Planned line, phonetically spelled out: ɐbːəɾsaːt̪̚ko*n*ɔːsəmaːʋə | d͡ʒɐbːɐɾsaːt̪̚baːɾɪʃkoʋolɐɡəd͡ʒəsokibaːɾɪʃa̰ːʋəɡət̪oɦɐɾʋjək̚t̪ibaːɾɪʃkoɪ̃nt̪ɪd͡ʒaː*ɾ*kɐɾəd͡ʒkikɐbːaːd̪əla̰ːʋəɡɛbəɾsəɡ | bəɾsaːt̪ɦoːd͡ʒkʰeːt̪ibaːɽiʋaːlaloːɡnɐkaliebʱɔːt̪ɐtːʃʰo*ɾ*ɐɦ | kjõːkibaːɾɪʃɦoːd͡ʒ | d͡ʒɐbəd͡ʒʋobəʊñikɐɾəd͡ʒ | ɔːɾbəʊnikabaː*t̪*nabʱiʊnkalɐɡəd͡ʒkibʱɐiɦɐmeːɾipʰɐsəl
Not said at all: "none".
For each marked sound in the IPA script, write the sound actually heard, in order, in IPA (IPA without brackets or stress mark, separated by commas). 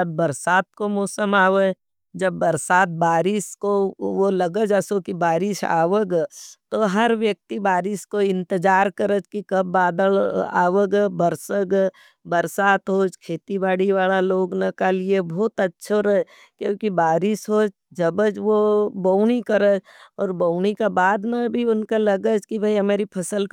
m, ɾ, ɾ, d̪